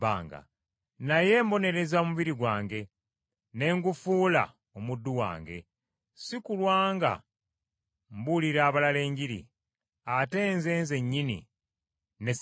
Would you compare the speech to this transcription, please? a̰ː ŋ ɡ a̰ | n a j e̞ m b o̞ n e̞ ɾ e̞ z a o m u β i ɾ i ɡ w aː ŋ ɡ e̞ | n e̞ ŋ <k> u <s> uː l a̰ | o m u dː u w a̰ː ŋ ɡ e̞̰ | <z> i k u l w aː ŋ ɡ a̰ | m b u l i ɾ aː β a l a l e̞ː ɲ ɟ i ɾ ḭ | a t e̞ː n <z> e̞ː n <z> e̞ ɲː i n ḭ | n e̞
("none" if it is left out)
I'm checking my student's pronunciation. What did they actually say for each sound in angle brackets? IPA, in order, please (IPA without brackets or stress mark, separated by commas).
ɡ, f, s, z, z